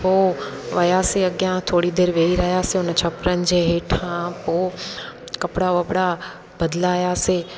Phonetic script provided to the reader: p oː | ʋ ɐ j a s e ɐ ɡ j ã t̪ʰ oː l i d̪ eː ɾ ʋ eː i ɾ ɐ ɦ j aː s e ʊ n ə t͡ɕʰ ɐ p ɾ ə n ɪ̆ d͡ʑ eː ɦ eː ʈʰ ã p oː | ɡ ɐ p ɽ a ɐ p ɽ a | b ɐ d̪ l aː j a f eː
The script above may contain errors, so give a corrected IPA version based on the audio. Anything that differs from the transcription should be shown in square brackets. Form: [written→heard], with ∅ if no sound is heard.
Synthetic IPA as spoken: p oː | ʋ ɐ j a s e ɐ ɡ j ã t̪ʰ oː [l→ɽ] i d̪ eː ɾ ʋ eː i ɾ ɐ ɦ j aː s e ʊ n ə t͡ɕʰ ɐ p ɾ ə n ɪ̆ d͡ʑ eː ɦ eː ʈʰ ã p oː | [ɡ→k] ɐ p ɽ a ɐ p ɽ a | b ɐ d̪ l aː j a [f→s] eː